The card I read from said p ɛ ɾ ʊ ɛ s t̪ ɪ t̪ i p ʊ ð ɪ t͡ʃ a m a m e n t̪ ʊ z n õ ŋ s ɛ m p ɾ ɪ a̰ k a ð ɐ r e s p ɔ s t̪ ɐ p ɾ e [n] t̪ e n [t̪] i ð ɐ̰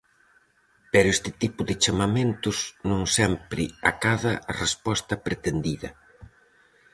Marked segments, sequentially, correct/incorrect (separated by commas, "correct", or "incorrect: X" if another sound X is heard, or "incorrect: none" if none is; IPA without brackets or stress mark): incorrect: none, incorrect: d̪